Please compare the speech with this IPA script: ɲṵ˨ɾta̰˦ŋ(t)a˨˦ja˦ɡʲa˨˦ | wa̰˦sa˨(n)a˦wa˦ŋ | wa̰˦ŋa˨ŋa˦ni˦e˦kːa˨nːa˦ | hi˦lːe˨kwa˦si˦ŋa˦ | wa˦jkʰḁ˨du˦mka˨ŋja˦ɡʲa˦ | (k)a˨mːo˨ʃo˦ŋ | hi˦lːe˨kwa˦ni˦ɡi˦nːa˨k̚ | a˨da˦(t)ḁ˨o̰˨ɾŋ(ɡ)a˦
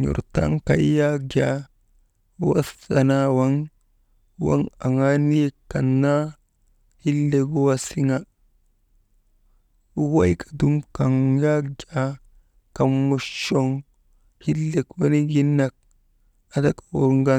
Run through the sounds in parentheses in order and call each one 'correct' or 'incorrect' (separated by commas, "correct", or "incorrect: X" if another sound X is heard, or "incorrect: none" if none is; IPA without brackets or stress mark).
incorrect: k, correct, correct, incorrect: k, correct